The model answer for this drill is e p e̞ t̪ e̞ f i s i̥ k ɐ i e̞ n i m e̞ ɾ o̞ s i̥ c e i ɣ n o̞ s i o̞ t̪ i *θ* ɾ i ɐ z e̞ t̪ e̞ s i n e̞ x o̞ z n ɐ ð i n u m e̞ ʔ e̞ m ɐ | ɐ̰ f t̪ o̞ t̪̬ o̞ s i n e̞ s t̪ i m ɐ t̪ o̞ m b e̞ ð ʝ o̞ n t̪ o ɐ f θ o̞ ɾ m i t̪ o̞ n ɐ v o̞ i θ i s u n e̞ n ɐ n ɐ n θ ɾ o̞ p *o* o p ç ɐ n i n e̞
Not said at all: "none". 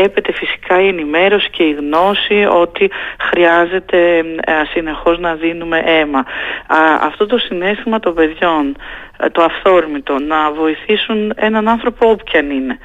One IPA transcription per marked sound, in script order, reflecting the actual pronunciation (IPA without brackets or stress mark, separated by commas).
x, o